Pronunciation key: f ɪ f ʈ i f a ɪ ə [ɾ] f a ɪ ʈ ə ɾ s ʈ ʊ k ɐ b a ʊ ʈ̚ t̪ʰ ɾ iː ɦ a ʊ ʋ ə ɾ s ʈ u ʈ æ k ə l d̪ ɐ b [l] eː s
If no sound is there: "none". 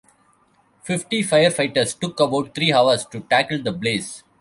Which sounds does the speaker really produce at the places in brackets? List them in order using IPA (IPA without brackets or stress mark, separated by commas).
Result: ɾ, l